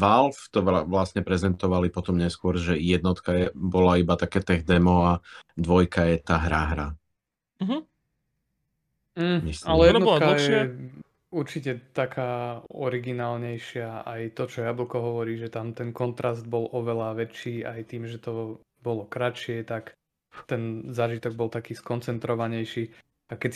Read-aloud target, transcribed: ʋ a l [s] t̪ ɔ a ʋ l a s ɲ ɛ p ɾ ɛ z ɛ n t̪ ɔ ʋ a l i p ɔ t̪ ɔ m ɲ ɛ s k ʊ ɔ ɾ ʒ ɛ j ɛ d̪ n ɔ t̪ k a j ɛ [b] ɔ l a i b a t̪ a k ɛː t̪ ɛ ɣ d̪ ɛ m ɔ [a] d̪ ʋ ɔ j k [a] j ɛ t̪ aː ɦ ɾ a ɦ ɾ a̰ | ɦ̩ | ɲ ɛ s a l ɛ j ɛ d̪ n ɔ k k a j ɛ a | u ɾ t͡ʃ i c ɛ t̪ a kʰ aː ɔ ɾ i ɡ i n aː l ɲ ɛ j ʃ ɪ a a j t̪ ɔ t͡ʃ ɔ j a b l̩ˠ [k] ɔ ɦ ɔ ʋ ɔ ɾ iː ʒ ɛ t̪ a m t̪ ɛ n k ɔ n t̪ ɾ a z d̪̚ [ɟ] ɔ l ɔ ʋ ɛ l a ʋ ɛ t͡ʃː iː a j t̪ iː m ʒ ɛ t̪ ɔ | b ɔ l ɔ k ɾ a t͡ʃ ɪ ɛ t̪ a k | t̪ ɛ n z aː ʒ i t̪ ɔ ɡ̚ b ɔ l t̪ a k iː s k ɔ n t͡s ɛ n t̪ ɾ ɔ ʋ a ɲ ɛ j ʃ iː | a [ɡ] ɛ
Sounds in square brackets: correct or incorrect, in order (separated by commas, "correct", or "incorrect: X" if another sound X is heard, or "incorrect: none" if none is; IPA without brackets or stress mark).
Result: incorrect: f, correct, correct, correct, correct, incorrect: b, incorrect: k